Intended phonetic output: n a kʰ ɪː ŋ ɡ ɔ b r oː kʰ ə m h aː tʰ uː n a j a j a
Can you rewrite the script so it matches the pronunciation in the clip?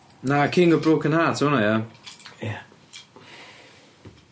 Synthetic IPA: n a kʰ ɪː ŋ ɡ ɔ b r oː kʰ ə n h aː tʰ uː n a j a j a